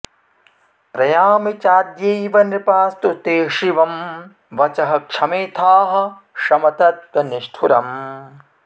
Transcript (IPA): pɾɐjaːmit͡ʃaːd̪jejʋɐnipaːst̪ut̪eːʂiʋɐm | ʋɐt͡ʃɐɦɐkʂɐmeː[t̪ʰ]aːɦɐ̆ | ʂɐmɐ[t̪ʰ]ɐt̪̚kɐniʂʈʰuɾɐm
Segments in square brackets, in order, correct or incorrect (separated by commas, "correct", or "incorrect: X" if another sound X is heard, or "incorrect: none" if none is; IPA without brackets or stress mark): correct, incorrect: t̪